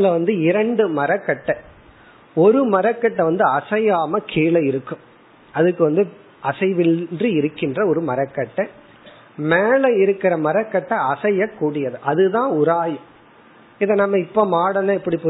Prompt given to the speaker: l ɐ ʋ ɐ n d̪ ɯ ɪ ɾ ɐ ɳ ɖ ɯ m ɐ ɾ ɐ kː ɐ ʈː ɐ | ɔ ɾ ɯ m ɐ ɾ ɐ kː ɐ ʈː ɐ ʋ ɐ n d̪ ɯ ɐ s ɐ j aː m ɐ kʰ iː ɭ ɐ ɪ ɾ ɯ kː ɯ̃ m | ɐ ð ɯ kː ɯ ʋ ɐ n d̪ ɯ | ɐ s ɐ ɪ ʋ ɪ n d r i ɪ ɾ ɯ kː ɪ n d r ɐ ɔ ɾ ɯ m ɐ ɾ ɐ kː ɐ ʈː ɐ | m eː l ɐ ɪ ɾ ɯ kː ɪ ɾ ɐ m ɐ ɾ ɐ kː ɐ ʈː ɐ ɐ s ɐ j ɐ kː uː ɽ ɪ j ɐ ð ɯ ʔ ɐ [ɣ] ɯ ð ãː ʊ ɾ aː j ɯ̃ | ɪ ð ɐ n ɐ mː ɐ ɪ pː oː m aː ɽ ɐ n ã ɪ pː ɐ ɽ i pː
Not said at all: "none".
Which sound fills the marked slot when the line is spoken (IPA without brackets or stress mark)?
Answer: ð